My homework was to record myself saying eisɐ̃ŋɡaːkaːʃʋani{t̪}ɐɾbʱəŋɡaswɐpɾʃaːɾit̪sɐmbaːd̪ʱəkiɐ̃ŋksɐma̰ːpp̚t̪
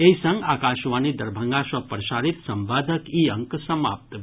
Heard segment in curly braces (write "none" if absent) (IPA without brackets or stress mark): d̪